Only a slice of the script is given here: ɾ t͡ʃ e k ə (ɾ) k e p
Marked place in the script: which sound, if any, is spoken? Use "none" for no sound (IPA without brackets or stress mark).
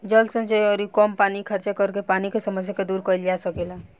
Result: ɾ